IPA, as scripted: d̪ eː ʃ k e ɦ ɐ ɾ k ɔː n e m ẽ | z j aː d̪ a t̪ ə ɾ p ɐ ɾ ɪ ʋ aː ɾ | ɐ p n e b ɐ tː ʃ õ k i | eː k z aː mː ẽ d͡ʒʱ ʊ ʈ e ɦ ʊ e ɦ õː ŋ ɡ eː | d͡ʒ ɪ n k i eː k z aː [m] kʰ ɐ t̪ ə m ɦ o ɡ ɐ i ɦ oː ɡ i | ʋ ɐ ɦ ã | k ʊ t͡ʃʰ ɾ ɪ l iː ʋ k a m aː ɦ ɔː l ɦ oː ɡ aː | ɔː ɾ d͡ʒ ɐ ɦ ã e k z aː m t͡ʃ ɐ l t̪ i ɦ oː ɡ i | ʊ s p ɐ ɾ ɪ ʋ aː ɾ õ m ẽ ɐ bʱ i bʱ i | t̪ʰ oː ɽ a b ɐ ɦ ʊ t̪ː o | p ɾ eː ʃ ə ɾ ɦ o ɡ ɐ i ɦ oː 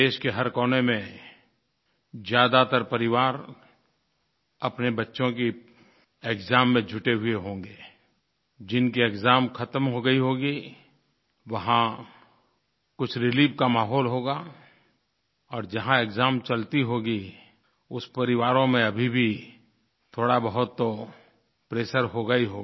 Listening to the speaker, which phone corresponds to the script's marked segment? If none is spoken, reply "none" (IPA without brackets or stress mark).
m